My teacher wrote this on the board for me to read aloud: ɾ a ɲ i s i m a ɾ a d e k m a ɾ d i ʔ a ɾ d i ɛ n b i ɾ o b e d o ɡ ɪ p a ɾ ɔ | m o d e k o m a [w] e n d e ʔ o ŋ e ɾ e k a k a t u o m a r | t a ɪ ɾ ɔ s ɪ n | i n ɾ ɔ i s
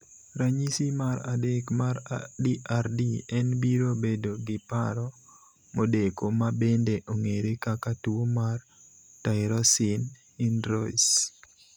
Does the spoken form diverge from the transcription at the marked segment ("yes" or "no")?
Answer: yes